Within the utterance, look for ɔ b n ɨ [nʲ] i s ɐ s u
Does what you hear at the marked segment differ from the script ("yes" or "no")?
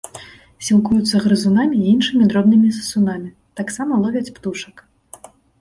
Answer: yes